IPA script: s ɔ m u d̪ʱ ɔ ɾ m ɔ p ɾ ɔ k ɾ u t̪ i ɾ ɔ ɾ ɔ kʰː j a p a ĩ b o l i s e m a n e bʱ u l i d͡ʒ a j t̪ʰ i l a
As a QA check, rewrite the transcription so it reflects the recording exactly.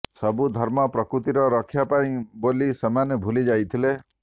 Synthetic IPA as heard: s ɔ b u d̪ʱ ɔ ɾ m ɔ p ɾ ɔ k ɾ u t̪ i ɾ ɔ ɾ ɔ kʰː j a p a ĩ b o l i s e m a n e bʱ u l i d͡ʒ a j t̪ʰ i l e